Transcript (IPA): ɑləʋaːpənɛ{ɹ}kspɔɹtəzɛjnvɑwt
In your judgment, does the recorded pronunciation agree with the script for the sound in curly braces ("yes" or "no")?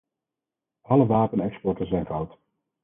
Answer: no